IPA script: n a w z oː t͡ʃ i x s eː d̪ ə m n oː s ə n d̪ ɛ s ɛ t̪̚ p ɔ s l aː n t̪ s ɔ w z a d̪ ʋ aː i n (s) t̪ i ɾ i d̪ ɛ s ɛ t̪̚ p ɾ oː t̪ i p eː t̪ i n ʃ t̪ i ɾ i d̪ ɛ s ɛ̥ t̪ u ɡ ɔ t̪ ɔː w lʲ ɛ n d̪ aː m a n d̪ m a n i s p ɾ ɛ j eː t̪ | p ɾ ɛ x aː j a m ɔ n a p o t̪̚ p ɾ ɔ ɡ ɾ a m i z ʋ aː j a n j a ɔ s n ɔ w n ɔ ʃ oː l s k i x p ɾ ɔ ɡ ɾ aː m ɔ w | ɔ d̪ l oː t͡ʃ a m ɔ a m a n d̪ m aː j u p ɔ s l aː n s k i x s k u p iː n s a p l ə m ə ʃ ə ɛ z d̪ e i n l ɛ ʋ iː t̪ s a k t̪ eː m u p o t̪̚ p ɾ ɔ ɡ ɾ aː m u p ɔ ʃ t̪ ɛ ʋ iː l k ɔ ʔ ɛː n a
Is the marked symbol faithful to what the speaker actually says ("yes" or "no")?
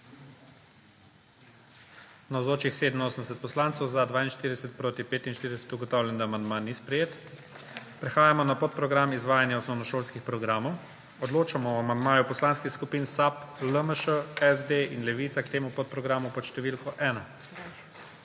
no